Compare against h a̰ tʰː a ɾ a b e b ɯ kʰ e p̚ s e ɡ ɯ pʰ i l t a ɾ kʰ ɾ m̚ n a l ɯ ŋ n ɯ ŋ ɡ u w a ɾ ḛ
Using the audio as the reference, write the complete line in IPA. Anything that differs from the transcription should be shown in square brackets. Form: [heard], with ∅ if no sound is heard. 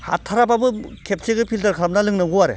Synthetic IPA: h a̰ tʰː a ɾ a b [a] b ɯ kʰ e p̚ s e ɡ ɯ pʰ i l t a ɾ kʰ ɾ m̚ n a l ɯ ŋ n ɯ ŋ ɡ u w a ɾ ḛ